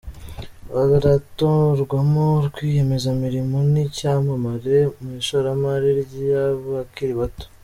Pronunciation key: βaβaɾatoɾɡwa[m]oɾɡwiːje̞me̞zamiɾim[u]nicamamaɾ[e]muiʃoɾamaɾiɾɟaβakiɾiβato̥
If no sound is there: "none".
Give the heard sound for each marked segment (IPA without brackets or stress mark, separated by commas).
m, o, e